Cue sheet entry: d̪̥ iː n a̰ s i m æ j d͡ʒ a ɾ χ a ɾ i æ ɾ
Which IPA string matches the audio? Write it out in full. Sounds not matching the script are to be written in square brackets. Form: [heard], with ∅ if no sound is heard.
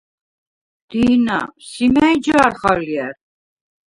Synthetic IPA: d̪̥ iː n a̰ s i m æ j d͡ʒ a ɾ χ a [l] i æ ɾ